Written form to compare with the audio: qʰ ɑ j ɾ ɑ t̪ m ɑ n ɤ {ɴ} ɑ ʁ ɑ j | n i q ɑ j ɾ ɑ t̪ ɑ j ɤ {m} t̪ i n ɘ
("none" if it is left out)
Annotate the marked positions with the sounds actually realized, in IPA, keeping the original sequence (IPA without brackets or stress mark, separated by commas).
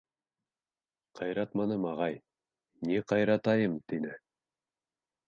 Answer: m, m